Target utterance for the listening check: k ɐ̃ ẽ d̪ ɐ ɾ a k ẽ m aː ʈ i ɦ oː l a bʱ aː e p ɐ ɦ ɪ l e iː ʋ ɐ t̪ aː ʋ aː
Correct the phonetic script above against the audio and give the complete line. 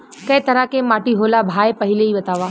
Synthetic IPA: k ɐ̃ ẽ t̪ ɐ ɾ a k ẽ m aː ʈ i ɦ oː l a bʱ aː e p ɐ ɦ ɪ l e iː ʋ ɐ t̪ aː ʋ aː